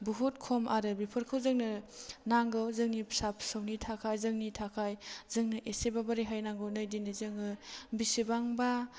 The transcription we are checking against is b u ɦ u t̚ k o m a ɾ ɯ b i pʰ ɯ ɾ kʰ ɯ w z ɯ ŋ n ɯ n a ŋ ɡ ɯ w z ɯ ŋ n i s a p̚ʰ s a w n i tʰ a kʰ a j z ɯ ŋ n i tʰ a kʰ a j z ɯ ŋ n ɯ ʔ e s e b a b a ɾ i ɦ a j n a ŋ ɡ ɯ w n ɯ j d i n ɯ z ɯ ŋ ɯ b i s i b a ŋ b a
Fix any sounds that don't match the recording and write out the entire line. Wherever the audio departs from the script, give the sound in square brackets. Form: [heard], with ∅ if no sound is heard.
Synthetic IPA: b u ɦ u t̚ [kʰ] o m a ɾ ɯ b i pʰ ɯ ɾ kʰ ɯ w z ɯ ŋ n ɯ n a ŋ ɡ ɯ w z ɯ ŋ n i s a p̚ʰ s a w n i tʰ a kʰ a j z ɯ ŋ n i tʰ a kʰ a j z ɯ ŋ n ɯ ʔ e s e b a b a ɾ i ɦ a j n a ŋ ɡ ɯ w n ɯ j d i n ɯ z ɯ ŋ ɯ b i s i b a ŋ b a

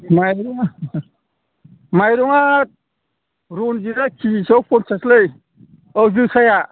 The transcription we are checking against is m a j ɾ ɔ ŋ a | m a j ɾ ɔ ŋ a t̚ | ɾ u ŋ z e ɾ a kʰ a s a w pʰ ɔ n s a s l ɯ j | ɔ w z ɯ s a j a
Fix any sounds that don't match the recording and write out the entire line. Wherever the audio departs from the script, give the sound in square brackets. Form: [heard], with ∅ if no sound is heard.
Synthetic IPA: m a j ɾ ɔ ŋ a | m a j ɾ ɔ ŋ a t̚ | ɾ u [n] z [i] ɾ a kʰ [i] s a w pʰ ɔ n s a s l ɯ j | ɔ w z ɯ s a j a

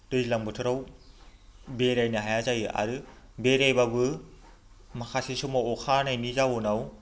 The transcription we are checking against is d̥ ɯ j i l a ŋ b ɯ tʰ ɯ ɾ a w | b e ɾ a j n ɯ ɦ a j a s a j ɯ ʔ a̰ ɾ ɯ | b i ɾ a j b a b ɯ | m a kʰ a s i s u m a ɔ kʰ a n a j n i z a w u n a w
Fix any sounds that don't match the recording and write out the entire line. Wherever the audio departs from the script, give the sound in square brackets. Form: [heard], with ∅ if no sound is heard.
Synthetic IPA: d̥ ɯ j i l a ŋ b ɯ tʰ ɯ ɾ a w | b e ɾ a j n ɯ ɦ a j a [z] a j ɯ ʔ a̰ ɾ ɯ | b [e] ɾ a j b a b ɯ | m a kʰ a s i s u m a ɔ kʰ a n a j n i z a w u n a w

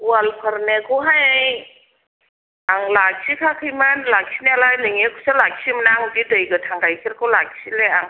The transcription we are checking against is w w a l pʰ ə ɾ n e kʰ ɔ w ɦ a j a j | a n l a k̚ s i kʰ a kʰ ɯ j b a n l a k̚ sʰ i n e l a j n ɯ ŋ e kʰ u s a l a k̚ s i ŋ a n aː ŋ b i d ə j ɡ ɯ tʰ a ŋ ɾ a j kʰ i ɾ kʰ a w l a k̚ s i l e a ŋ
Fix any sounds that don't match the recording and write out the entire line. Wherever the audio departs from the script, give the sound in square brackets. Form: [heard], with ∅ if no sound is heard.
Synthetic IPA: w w a l pʰ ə ɾ n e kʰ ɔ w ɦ a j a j | a [ŋ] l a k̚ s i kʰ a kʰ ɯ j [m] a n l a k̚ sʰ i n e l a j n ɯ ŋ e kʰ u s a l a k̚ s i [m] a n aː ŋ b i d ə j ɡ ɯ tʰ a ŋ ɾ a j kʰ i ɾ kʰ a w l a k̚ s i l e a ŋ

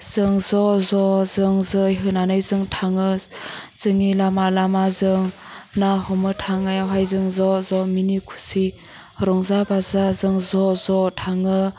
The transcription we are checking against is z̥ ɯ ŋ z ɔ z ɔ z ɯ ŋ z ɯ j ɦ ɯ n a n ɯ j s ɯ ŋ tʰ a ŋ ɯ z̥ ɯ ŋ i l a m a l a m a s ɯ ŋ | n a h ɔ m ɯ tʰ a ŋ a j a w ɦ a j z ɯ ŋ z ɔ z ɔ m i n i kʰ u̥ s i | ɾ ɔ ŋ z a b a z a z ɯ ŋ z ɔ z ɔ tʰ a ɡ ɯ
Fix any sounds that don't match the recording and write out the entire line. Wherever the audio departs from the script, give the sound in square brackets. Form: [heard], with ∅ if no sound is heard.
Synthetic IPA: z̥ ɯ ŋ z ɔ z ɔ z ɯ ŋ z ɯ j ɦ ɯ n a n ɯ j [z] ɯ ŋ tʰ a ŋ ɯ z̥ ɯ ŋ i l a m a l a m a [z] ɯ ŋ | n a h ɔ m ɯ tʰ a ŋ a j a w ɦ a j z ɯ ŋ z ɔ z ɔ m i n i kʰ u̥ s i | ɾ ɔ ŋ z a b a z a z ɯ ŋ z ɔ z ɔ tʰ a [ŋ] ɯ

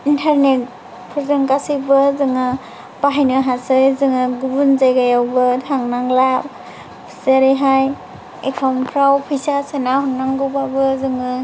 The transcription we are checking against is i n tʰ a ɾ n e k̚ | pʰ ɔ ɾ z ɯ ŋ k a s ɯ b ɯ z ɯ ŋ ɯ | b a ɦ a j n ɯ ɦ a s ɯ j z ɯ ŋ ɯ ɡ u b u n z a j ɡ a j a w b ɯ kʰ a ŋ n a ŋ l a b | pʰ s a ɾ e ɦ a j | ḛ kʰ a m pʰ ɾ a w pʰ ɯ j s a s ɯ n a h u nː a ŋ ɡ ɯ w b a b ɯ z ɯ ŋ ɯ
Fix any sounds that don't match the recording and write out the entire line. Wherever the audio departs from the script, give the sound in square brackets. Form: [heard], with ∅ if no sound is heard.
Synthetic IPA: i n tʰ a ɾ n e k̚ | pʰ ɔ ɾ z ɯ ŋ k a s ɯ b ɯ z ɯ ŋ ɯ | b a ɦ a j n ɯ ɦ a s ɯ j z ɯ ŋ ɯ ɡ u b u n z a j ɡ a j a w b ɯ [tʰ] a ŋ n a ŋ l a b | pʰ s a ɾ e ɦ a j | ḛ kʰ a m pʰ ɾ a w pʰ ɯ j s a s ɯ n a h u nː a ŋ ɡ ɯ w b a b ɯ z ɯ ŋ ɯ

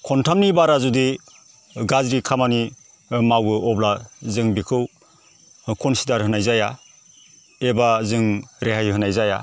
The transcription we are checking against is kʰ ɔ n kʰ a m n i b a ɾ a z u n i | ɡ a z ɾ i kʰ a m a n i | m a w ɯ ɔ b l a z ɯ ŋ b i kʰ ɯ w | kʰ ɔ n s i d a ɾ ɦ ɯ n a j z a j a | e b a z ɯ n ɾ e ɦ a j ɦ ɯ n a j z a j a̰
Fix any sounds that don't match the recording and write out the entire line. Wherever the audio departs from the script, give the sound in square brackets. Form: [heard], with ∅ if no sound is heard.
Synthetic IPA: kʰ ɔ n [tʰ] a m n i b a ɾ a z u [d] i | ɡ a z ɾ i kʰ a m a n i | m a w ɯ ɔ b l a z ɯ ŋ b i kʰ ɯ w | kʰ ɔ n s i d a ɾ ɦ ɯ n a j z a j a | e b a z ɯ [ŋ] ɾ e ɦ a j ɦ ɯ n a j z a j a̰

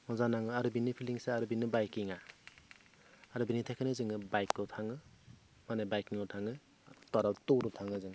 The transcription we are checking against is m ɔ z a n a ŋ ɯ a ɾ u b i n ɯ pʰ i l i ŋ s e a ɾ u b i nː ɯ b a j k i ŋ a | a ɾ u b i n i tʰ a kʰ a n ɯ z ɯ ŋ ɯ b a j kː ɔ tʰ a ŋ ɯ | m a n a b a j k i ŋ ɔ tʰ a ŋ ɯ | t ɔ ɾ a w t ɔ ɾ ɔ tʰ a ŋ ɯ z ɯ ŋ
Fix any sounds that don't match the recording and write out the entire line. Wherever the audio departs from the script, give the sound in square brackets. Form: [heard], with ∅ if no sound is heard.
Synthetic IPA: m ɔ z a n a ŋ ɯ a ɾ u b i n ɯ pʰ i l i ŋ s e a ɾ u b i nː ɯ b a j k i ŋ a | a ɾ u b i n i tʰ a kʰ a n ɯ z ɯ ŋ ɯ b a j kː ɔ tʰ a ŋ ɯ | m a n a b a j k i ŋ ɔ tʰ a ŋ ɯ | t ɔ ɾ a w t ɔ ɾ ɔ tʰ a ŋ ɯ z ɯ ŋ

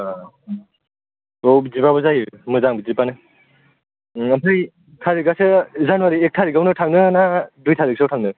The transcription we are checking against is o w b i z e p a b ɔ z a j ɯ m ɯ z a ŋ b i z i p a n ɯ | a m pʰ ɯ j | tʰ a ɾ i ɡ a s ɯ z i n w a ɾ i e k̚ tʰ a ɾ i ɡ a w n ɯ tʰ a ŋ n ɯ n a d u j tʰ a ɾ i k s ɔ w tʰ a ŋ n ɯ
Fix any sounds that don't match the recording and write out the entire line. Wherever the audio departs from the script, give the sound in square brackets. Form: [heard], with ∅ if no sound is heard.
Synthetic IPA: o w b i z [i] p a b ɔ z a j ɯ m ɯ z a ŋ b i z i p a n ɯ | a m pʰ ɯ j | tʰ a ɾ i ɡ a s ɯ z [a] n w a ɾ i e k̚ tʰ a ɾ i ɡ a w n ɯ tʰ a ŋ n ɯ n a d u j tʰ a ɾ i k s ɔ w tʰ a ŋ n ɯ

